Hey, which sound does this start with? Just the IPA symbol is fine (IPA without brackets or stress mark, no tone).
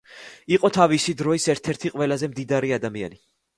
i